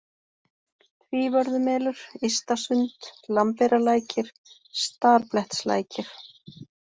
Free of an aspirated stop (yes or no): yes